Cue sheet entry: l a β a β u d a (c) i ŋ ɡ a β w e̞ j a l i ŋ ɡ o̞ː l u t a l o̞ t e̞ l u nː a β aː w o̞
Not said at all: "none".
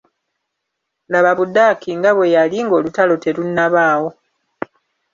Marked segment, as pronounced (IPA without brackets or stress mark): k